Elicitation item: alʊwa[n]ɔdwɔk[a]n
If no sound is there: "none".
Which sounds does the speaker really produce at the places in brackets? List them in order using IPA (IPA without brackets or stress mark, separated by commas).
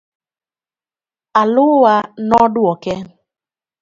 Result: n, ɛ